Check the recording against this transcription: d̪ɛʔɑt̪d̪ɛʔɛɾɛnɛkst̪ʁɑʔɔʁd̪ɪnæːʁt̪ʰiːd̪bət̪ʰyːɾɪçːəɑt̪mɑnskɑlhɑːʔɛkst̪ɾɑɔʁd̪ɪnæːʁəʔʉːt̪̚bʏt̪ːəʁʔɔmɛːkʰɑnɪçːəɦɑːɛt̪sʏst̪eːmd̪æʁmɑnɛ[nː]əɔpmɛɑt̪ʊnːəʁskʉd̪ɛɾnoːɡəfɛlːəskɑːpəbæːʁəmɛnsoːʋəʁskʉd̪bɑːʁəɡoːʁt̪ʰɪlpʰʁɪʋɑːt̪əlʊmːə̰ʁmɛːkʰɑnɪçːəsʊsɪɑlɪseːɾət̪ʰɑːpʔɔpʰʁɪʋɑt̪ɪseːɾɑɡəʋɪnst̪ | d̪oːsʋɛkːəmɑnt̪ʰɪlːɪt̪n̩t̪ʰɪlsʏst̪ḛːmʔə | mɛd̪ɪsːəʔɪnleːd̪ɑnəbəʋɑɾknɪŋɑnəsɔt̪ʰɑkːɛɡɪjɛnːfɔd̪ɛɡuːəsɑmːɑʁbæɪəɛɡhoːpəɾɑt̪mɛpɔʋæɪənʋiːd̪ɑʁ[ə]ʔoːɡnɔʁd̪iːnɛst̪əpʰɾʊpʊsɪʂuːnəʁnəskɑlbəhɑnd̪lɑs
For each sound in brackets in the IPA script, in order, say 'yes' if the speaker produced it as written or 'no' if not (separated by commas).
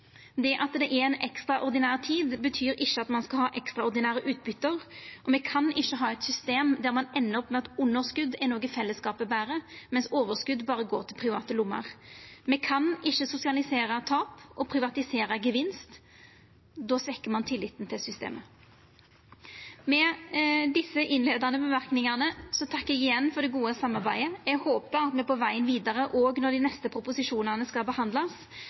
yes, yes